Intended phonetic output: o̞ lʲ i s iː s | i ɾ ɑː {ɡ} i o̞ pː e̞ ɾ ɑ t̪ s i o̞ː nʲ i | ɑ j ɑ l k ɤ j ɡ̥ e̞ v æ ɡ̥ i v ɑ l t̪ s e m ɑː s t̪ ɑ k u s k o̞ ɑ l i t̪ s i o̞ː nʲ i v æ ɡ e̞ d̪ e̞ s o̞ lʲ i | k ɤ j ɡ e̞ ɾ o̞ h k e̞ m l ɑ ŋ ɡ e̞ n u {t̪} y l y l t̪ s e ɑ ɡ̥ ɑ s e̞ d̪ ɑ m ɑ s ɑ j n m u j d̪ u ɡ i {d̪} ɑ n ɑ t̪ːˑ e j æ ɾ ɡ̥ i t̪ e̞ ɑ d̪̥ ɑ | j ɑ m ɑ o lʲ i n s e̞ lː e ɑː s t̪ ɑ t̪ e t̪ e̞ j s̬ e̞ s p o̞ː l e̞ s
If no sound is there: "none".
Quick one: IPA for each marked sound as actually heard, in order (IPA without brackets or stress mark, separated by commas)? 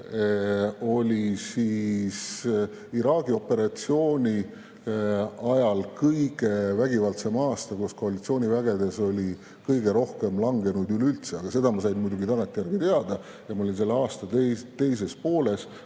ɡ, d̪, t̪